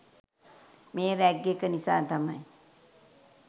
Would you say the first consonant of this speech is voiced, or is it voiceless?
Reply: voiced